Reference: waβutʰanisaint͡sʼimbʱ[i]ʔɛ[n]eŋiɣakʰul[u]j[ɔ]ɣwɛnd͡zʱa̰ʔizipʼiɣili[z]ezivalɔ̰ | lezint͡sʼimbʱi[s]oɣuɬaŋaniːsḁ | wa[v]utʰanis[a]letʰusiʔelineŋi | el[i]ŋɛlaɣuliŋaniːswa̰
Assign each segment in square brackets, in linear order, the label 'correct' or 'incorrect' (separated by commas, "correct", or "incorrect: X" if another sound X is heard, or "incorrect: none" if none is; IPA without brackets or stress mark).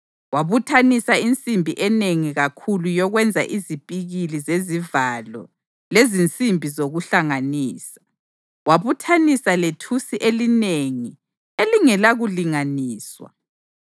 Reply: correct, correct, correct, correct, correct, incorrect: z, incorrect: β, correct, correct